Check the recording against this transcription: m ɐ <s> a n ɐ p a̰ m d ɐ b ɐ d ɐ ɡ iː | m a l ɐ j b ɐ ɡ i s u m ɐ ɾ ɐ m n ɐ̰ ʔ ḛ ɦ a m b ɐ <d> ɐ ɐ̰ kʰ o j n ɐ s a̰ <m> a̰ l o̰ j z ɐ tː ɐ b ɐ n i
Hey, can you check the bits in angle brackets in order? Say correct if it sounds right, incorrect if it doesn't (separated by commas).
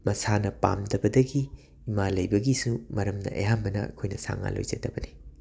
correct, incorrect, incorrect